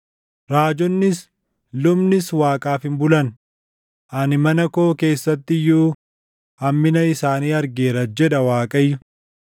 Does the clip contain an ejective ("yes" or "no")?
yes